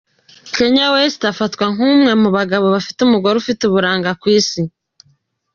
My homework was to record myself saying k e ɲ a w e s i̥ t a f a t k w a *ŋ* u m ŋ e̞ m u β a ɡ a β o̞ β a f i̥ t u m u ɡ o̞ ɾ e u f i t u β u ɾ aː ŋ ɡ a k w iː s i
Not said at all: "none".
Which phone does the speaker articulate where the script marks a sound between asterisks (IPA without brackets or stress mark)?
ŋ